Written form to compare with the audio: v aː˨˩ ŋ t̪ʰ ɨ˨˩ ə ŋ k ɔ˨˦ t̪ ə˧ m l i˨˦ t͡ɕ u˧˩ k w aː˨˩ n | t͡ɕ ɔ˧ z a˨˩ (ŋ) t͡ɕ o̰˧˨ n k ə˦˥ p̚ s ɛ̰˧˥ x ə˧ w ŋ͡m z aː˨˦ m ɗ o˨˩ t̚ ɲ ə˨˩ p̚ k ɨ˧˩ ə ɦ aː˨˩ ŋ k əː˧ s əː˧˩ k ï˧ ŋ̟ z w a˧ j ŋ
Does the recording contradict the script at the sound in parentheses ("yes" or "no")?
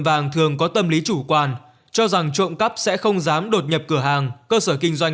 no